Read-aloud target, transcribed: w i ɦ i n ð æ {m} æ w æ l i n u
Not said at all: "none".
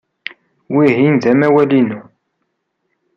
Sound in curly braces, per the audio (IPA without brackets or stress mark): m